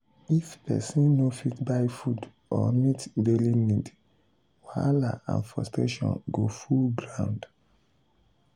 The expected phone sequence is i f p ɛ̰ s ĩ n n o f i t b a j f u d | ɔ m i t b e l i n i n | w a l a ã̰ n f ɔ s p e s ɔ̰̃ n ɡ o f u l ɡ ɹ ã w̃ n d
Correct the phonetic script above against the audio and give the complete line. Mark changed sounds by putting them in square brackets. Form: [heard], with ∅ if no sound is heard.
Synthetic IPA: i f p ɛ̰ s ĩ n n o f i t b a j f u d | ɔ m i t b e l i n i [d] | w a l a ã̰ n f ɔ s [t] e [ʃ] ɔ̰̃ n ɡ o f u l ɡ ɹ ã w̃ n d